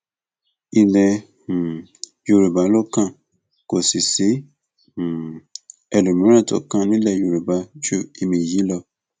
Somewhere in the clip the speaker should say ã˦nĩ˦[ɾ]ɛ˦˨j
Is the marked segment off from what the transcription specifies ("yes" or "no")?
yes